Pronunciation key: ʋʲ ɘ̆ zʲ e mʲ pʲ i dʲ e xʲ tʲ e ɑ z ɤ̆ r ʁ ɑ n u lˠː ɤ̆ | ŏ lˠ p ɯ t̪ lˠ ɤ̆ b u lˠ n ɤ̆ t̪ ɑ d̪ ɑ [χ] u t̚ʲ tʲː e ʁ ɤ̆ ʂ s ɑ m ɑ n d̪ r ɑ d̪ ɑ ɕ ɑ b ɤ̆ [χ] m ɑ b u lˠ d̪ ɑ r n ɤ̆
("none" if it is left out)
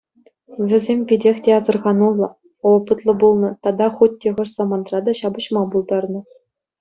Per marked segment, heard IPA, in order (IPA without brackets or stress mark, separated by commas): χ, ɕ